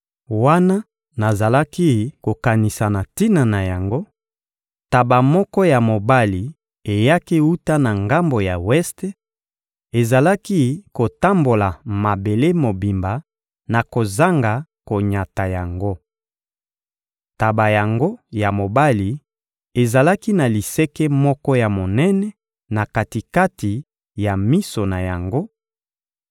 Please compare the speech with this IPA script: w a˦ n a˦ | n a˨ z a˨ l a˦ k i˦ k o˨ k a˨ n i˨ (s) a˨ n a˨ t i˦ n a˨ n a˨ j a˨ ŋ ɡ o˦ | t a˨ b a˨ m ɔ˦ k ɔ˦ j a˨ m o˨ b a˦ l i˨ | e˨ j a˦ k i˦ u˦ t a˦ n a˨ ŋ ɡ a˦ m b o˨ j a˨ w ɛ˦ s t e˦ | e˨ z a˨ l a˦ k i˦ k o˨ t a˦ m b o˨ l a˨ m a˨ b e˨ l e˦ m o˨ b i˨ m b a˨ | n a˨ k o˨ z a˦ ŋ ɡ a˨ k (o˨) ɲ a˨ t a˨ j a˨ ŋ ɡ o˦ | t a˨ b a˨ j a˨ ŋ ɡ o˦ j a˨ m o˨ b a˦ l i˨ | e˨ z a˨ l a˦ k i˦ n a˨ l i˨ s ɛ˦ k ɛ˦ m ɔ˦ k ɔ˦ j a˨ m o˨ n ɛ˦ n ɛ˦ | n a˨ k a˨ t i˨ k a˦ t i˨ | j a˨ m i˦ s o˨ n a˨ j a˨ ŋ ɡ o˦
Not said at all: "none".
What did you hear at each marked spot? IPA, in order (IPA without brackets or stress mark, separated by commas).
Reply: s, o˨